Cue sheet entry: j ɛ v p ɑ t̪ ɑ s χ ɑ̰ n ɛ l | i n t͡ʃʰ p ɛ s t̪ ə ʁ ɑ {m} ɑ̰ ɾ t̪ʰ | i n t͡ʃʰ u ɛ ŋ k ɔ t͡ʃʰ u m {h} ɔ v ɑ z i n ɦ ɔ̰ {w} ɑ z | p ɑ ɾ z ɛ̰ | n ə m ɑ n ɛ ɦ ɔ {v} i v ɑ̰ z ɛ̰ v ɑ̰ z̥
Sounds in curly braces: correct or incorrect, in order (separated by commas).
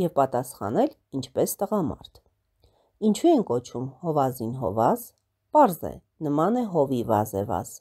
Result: correct, correct, incorrect, correct